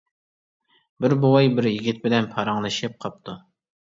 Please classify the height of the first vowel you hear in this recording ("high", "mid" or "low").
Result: high